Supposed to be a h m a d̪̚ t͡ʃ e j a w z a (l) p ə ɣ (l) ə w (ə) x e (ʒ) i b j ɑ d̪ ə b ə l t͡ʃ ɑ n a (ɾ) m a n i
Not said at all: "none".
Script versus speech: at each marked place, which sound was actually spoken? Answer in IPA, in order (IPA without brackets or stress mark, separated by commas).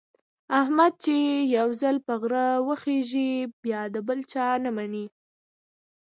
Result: l, ɾ, ə, ʒ, none